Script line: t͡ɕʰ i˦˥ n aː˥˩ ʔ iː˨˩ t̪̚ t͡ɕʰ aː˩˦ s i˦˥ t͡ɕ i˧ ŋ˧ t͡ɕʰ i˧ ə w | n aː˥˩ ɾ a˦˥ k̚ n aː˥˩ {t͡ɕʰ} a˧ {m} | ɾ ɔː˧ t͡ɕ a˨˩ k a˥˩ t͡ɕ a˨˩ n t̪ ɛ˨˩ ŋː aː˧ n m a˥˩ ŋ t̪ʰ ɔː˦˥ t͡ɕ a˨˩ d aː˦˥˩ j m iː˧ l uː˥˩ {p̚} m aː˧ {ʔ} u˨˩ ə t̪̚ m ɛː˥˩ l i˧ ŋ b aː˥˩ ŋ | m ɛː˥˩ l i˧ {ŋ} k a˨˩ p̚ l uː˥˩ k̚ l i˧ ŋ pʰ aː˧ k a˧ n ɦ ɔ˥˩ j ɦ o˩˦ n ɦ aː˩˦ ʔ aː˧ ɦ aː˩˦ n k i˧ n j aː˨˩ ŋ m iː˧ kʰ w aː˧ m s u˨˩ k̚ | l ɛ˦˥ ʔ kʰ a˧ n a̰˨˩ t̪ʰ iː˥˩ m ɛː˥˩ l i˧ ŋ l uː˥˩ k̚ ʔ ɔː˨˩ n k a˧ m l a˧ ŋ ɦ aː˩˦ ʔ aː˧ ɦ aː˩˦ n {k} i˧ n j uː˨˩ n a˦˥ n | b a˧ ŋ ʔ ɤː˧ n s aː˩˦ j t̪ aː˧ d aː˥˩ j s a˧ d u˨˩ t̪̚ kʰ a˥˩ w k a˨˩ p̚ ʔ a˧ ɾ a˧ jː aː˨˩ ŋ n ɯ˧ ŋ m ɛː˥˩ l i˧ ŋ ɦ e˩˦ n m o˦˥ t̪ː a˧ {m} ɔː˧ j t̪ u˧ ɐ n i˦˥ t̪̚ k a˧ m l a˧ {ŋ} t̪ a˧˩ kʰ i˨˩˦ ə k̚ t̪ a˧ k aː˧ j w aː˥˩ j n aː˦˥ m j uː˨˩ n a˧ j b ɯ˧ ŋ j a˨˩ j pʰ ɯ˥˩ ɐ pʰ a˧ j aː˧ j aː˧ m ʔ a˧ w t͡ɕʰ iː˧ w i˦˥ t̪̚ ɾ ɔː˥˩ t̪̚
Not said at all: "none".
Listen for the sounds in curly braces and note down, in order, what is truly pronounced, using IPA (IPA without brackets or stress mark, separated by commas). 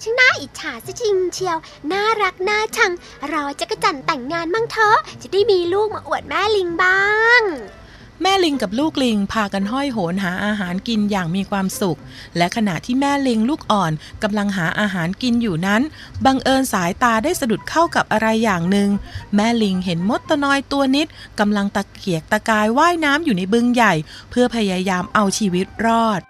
t͡ɕʰ, ŋ, k̚, ʔ, ŋ, k, n, ŋ